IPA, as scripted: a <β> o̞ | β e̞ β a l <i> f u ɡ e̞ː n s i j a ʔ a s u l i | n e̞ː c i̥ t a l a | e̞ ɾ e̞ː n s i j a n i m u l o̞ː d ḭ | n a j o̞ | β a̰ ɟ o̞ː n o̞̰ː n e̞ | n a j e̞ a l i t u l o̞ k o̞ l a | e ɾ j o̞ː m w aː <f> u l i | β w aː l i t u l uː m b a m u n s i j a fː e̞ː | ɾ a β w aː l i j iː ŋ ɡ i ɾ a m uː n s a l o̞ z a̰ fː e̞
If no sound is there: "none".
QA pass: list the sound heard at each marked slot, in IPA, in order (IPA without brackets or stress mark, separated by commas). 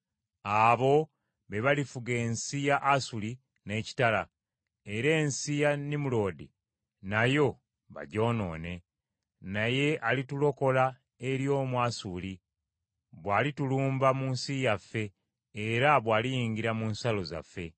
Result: β, i, s